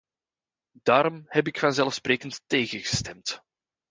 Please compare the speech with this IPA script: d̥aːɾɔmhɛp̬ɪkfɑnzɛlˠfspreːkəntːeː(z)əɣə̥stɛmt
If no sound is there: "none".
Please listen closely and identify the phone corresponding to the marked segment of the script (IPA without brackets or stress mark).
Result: ɣ